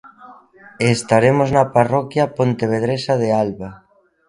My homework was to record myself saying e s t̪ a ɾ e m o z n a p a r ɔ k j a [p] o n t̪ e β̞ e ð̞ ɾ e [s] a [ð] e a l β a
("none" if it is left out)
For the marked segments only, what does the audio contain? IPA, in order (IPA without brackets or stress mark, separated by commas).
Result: p, s, ð